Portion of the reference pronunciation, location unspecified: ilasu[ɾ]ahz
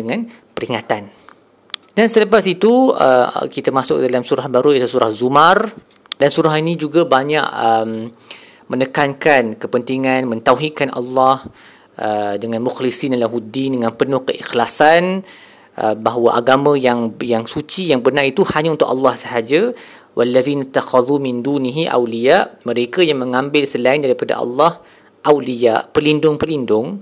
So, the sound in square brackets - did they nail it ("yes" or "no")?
yes